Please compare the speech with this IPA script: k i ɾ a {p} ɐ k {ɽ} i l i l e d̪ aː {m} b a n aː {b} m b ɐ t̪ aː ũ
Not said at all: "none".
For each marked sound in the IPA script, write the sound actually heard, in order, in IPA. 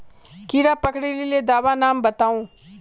p, ɽ, none, none

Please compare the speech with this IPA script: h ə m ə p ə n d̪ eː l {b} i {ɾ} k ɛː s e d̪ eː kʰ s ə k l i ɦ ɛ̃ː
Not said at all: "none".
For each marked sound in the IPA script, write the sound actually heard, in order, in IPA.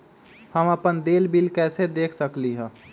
b, l

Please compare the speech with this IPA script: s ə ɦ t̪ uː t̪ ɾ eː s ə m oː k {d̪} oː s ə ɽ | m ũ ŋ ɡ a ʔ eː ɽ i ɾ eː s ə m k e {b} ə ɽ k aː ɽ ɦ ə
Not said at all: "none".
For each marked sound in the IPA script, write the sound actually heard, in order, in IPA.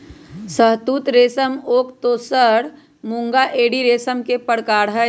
t̪, p

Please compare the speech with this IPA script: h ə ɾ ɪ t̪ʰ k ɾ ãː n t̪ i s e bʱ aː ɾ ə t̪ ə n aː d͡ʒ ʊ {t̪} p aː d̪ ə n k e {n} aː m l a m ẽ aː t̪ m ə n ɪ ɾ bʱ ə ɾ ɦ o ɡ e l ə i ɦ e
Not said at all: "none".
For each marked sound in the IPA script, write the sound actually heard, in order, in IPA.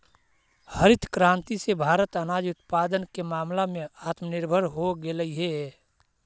t̪, m

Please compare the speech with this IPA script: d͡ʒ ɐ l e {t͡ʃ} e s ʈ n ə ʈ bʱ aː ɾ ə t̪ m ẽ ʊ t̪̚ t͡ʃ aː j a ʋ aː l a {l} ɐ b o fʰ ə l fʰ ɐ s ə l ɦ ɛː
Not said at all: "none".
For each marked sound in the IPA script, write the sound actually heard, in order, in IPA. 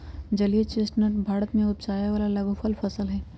t͡ʃ, l

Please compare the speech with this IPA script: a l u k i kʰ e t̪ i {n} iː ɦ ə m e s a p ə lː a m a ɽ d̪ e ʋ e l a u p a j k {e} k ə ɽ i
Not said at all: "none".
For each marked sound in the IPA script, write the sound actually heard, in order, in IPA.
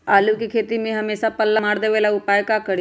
m, a

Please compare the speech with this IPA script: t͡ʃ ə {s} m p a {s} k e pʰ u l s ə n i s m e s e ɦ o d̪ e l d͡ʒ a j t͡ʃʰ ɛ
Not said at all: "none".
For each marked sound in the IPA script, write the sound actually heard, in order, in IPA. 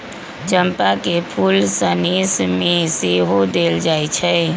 none, none

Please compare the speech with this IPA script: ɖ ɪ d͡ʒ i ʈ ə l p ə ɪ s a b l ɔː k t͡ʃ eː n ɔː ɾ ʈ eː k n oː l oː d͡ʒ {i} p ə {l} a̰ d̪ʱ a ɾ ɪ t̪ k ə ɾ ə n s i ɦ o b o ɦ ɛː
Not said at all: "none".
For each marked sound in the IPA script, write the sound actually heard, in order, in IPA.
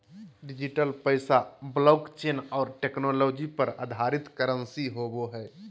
i, ɾ

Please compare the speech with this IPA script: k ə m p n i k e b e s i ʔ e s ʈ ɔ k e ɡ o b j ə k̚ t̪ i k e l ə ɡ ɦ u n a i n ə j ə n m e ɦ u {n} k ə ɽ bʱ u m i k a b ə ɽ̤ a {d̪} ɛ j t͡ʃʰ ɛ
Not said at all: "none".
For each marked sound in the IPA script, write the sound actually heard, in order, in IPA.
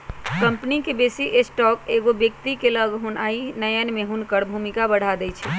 n, d̪

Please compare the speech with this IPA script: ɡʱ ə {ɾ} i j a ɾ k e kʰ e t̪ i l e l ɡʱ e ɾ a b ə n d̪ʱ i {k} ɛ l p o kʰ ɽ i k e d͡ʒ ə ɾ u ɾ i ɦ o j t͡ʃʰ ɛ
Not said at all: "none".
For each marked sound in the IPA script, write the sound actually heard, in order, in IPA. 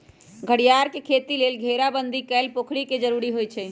ɽ, k

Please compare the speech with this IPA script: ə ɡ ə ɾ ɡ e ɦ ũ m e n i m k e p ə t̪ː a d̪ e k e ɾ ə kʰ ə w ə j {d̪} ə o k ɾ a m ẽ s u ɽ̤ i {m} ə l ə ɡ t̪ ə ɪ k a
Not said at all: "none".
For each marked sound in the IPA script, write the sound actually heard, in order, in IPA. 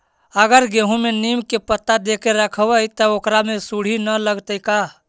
t̪, n

